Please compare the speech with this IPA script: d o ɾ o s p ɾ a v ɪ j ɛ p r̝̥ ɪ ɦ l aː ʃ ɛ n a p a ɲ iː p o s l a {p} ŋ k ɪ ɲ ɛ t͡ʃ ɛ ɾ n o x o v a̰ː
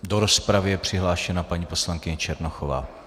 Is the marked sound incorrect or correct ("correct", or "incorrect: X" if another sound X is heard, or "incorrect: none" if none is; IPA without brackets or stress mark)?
incorrect: none